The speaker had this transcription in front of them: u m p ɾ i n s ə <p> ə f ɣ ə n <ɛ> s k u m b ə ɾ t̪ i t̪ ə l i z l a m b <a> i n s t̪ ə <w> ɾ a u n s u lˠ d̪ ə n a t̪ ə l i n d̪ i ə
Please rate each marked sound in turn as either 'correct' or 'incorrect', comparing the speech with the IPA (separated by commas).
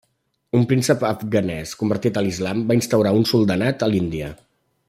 correct, correct, correct, correct